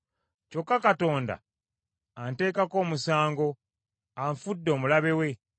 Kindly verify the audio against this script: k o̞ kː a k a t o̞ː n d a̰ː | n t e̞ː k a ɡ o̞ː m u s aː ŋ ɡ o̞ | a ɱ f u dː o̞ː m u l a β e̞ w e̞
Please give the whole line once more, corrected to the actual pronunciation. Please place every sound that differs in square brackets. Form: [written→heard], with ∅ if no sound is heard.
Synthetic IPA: [k→c] o̞ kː a k a t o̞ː n d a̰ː | n t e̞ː k a [ɡ→k] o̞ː m u s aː ŋ ɡ o̞ | a ɱ f u dː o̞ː m u l a β e̞ w e̞